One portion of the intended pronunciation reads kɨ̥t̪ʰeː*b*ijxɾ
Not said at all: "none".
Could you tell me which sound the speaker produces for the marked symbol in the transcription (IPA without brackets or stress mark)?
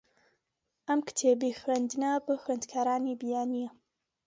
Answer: b